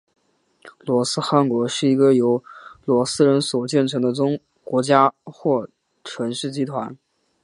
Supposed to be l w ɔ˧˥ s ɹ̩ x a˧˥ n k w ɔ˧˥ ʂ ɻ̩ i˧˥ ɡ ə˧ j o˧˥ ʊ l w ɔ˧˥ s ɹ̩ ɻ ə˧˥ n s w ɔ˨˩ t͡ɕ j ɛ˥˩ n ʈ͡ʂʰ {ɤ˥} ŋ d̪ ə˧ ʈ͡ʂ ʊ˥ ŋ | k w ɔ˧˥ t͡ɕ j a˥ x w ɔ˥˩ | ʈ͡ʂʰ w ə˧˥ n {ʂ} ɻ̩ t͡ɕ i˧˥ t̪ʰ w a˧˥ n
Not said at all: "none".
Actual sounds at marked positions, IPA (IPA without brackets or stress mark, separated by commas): ɤ˧˥, ʂ